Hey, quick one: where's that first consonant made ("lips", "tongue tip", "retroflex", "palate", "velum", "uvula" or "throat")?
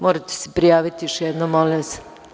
lips